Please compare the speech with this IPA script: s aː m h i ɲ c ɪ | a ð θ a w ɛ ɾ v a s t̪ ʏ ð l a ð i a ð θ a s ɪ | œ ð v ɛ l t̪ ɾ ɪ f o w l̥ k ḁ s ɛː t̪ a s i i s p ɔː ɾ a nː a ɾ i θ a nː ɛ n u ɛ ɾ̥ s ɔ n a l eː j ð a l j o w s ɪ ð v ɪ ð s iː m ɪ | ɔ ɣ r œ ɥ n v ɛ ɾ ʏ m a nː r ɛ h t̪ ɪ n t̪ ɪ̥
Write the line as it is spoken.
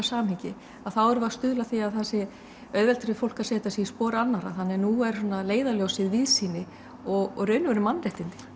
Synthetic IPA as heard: s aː m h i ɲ c ɪ | a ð θ a w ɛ ɾ v a s t̪ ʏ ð l a θ i a ð θ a s ɪ | œ ð v ɛ l t̪ ɾ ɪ f o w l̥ k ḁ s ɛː t̪ a s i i s p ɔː ɾ a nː a ɾ a θ a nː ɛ n u ɛ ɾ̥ s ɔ n a l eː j ð a l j o w s ɪ ð v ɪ ð s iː n ɪ | ɔ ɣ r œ ɥ n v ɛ ɾ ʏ m a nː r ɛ h t̪ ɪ n t̪ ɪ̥